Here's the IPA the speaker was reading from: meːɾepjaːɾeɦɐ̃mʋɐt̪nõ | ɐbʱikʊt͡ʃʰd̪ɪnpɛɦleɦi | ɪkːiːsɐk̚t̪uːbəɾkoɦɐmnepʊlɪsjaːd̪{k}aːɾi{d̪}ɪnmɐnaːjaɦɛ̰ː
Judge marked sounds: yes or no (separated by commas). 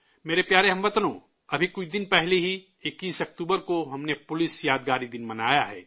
no, yes